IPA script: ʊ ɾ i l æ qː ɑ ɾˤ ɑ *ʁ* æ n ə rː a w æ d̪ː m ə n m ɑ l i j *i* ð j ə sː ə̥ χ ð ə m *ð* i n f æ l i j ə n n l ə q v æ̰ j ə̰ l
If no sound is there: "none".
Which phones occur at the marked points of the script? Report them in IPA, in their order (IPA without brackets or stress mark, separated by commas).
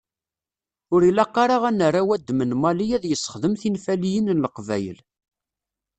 ʁ, æ, θ